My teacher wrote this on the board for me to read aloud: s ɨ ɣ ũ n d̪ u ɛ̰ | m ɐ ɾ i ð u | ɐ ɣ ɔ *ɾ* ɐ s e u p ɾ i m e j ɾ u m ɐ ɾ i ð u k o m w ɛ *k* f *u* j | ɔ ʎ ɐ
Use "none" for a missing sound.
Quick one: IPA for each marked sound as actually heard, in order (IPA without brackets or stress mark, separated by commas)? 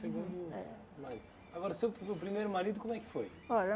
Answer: ɾ, k, o